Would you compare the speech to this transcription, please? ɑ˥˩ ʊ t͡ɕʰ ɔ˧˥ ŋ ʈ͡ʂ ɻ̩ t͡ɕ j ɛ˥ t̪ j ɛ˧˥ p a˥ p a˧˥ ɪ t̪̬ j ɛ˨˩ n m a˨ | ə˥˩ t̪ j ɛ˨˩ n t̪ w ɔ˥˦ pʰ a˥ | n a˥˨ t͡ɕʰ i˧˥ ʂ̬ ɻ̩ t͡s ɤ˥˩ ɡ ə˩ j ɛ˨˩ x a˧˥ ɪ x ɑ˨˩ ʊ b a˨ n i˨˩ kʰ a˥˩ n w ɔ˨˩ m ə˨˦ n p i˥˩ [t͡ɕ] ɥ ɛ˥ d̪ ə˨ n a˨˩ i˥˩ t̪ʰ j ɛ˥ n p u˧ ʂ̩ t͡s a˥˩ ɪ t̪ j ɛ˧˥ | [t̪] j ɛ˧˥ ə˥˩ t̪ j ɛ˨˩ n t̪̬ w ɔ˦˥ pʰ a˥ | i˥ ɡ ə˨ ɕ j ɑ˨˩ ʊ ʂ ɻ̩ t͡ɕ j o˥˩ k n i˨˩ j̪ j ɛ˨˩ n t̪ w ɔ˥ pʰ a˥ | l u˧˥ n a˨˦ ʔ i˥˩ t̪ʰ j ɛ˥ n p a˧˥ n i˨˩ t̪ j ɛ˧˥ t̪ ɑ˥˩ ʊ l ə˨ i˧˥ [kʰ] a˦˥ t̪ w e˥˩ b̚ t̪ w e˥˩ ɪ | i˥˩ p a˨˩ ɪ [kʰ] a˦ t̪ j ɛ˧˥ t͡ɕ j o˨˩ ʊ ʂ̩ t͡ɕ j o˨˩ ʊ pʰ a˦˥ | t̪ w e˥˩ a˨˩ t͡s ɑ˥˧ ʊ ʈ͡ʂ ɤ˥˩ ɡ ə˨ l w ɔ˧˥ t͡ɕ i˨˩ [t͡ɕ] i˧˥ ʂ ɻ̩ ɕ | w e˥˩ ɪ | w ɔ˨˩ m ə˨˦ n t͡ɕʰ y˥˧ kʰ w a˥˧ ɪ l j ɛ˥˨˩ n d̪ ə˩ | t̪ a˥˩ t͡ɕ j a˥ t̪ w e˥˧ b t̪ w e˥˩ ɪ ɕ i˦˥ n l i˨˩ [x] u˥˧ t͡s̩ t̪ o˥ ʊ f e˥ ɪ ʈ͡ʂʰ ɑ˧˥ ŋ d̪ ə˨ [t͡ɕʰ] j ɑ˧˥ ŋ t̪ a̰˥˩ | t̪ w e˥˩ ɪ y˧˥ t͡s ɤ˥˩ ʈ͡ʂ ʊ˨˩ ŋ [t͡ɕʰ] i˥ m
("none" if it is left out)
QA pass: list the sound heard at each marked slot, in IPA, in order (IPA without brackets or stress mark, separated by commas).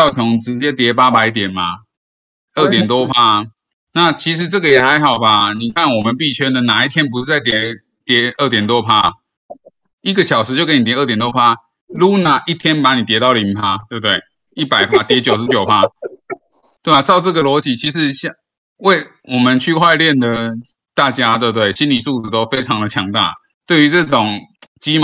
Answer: t͡ɕʰ, t̪, pʰ, pʰ, t͡ɕʰ, s, t͡ɕʰ, t͡ɕ